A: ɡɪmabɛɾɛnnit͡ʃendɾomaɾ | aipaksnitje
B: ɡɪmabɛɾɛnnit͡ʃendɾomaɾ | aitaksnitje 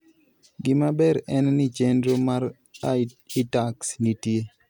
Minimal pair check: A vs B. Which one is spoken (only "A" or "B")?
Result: B